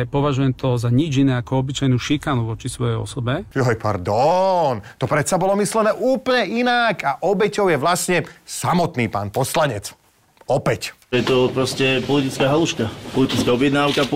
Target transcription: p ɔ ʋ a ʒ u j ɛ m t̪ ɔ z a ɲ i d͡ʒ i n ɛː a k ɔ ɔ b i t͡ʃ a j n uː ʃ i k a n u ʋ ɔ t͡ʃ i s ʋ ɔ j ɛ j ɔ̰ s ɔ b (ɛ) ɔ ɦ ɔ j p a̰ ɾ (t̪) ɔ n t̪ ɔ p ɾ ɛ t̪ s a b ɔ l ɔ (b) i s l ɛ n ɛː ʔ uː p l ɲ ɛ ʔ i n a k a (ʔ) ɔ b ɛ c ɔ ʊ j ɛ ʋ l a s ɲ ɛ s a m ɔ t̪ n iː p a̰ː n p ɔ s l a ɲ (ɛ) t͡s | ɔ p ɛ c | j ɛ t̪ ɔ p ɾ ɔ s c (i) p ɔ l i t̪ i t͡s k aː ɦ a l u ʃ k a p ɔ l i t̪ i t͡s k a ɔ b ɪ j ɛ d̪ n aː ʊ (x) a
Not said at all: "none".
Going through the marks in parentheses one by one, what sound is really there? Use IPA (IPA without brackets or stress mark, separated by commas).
ɛ, d̪, m, ʔ, ɛ, ɛ, k